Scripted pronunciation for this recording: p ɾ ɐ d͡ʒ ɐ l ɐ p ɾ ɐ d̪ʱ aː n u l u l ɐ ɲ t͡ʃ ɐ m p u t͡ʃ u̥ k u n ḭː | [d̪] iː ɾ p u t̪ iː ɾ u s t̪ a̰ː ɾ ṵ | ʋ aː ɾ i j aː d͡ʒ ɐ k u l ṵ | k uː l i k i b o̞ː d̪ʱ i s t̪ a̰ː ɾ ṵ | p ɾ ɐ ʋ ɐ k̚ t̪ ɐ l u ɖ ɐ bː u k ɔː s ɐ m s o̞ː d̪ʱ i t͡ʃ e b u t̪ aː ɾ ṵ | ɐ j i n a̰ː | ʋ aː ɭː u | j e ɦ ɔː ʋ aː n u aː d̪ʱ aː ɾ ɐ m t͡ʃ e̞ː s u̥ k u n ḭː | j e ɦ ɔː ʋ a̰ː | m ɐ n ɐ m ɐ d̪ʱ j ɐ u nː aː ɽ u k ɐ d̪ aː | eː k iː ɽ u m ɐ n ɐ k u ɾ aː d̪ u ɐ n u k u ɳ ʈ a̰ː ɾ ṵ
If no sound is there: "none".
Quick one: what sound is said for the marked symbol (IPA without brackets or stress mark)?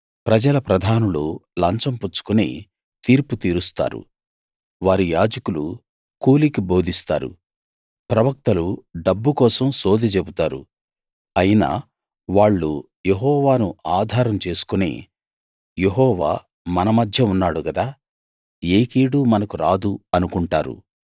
t̪